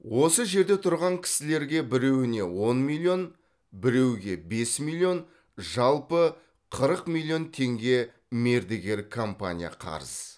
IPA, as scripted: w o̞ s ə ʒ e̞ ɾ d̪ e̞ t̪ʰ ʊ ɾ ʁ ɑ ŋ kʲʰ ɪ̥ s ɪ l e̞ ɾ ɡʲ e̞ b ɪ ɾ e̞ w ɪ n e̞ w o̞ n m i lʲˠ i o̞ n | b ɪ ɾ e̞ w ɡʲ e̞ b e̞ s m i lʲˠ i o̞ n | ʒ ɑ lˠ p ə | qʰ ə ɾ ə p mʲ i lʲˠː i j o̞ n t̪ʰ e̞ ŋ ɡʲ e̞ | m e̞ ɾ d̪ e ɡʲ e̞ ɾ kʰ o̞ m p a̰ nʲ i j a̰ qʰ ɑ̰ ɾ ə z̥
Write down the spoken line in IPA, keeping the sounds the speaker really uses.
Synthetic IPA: w o̞ s ə ʒ e̞ ɾ d̪ e̞ t̪ʰ ʊ ɾ ʁ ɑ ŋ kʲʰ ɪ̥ s ɪ l e̞ ɾ ɡʲ e̞ b ɪ ɾ e̞ w ɪ n e̞ w o̞ n m i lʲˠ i o̞ n | b ɪ ɾ e̞ w ɡʲ e̞ b e̞ s m i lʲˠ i o̞ n | ʒ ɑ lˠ p ə | qʰ ə ɾ ə q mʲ i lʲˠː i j o̞ n t̪ʰ e̞ ŋ ɡʲ e̞ | m e̞ ɾ d̪ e ɡʲ e̞ ɾ kʰ o̞ m p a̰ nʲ i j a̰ qʰ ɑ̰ ɾ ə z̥